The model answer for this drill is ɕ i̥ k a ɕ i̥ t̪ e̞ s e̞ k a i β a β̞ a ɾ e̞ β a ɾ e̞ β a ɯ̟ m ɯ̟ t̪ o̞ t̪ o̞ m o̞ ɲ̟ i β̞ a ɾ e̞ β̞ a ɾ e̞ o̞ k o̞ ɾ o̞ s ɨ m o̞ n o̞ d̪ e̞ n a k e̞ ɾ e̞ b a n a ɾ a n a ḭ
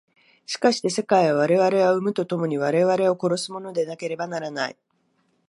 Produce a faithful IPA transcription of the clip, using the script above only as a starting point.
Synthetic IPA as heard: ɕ i̥ k a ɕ i̥ t̪ e̞ s e̞ k a i β a β̞ a ɾ e̞ β a ɾ e̞ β a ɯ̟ m ɯ̟ t̪ o̞ t̪ o̞ m o̞ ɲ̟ i β̞ a ɾ e̞ β̞ a ɾ e̞ o̞ k o̞ ɾ o̞ s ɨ m o̞ n o̞ d̪ e̞ n a k e̞ ɾ e̞ b a n a ɾ a n a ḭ